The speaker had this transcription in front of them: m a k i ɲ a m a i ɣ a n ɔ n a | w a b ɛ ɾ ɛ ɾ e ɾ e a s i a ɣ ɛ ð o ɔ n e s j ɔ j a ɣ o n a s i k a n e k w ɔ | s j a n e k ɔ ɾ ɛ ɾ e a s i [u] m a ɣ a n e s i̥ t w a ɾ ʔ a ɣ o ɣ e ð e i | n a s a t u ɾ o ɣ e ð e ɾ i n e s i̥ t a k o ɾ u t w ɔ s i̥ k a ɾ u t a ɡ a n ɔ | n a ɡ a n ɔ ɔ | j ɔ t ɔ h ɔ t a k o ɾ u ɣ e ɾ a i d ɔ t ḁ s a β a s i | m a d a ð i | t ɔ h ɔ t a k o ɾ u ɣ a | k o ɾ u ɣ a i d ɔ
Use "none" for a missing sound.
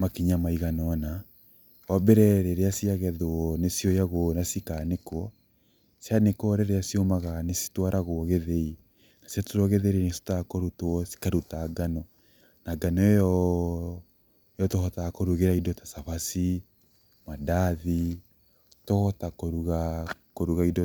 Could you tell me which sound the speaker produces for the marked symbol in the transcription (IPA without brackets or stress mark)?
o